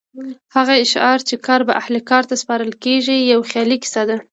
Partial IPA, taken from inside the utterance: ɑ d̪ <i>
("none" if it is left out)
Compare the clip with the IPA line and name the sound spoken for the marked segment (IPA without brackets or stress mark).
a